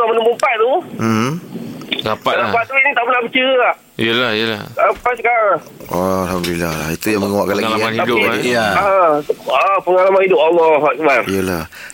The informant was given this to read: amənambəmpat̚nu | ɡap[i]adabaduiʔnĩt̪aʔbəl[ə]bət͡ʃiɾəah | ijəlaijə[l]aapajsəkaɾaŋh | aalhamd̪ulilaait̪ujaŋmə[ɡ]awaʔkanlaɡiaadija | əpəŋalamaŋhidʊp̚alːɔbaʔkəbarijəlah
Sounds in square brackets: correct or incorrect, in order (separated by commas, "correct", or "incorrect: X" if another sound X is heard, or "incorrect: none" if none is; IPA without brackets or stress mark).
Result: incorrect: a, incorrect: a, correct, incorrect: ŋ